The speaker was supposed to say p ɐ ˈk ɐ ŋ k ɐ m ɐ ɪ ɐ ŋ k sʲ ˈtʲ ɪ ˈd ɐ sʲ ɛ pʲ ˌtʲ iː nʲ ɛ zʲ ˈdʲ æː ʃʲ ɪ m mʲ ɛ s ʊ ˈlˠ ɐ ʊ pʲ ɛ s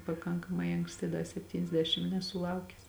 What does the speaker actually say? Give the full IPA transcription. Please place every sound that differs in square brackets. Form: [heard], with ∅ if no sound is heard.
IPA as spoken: p ɐ ˈk ɐ ŋ k ɐ m ɐ ɪ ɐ ŋ k sʲ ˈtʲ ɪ ˈd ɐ sʲ ɛ pʲ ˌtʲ iː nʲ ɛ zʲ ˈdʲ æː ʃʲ ɪ m [nʲ] ɛ s ʊ ˈlˠ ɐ ʊ [kʲ] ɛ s